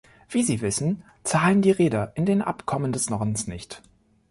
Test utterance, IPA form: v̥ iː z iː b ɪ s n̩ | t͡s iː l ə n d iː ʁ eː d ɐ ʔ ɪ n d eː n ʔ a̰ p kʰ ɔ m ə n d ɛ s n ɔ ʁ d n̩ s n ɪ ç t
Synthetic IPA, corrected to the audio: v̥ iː z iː v ɪ s n̩ | t͡s aː l ə n d iː ʁ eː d ɐ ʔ ɪ n d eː n ʔ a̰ p kʰ ɔ m ə n d ɛ s n ɔ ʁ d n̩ s n ɪ ç t